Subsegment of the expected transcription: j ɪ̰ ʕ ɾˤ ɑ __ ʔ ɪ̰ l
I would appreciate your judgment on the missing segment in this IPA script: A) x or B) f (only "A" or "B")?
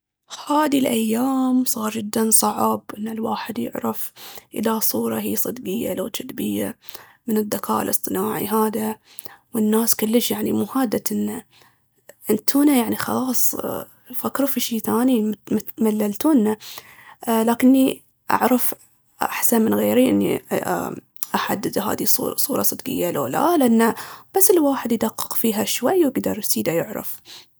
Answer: B